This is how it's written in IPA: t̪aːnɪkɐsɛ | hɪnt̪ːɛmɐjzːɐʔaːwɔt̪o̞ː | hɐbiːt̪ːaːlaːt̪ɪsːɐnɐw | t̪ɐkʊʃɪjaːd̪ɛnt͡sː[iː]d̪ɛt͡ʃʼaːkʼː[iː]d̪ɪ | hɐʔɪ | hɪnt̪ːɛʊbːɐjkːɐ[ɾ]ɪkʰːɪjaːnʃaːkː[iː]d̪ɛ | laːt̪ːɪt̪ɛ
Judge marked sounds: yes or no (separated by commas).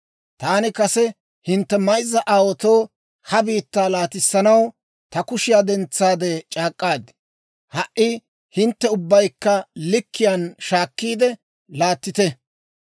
no, no, no, yes